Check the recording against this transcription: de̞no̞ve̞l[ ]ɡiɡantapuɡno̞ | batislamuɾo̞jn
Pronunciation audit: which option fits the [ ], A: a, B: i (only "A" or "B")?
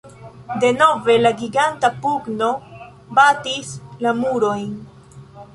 A